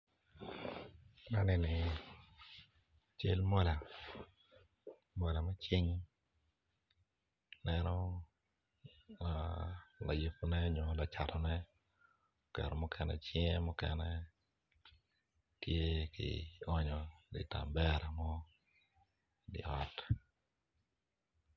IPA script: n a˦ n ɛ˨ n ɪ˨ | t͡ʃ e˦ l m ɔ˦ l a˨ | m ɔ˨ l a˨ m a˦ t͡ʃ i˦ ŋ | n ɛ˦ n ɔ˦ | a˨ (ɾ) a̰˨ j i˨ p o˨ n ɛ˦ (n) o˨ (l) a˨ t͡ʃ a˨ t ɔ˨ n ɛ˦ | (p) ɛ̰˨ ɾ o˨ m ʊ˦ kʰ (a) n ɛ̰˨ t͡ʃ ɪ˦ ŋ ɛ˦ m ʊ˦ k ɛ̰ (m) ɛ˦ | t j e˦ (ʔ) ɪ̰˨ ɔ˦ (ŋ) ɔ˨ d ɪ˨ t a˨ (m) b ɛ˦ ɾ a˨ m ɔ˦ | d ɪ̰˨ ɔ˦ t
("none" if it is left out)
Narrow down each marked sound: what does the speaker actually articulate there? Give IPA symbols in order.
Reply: l, ɲ, l, k, ɛ, n, k, ɲ, m

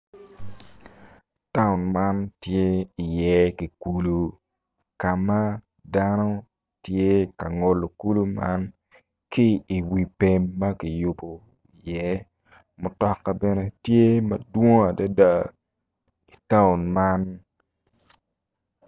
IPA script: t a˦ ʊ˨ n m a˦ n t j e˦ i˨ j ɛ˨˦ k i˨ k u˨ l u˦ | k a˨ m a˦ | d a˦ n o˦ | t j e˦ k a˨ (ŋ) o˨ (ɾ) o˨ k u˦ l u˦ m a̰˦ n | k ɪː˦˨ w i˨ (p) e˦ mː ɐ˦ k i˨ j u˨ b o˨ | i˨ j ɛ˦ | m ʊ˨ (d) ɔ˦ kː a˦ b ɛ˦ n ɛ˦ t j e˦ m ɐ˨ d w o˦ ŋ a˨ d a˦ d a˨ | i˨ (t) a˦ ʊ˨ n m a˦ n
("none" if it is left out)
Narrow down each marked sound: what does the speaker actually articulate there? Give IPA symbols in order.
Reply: ŋ, l, p, t, t

